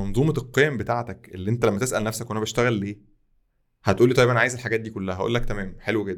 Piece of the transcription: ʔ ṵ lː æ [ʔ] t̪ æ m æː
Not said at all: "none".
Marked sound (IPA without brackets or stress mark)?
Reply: k